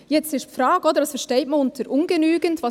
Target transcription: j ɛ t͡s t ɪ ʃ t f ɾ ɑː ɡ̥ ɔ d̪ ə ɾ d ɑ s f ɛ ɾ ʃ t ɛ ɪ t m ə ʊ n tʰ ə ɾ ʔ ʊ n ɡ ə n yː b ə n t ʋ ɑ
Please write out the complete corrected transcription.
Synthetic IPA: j ɛ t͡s t ɪ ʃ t f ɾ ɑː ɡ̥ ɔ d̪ ə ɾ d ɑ s f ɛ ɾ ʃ t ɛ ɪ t m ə ʊ n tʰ ə ɾ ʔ ʊ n ɡ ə n yː ɡ ə n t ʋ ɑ